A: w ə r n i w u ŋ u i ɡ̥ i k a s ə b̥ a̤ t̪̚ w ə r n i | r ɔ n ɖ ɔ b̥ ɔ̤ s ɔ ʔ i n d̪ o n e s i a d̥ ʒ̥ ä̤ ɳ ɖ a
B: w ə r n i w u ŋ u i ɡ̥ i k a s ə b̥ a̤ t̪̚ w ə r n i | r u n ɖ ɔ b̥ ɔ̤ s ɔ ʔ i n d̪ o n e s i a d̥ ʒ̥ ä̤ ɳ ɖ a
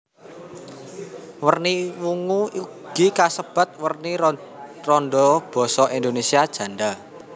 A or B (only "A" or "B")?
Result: A